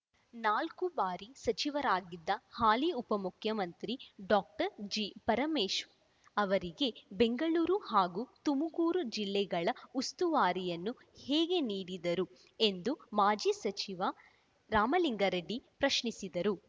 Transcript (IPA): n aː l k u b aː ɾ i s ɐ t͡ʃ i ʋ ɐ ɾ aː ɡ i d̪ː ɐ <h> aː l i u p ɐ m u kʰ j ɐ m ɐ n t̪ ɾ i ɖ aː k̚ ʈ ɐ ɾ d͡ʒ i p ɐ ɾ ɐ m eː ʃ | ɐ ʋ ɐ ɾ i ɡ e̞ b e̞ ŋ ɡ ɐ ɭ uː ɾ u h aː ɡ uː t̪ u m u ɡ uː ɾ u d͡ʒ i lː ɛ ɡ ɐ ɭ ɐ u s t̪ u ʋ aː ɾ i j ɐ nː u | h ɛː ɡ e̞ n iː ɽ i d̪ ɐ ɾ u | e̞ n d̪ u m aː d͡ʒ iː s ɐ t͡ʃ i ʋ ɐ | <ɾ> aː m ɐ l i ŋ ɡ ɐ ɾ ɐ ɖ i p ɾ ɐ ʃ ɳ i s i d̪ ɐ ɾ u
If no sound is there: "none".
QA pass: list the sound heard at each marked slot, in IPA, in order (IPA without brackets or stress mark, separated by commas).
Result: h, ɾ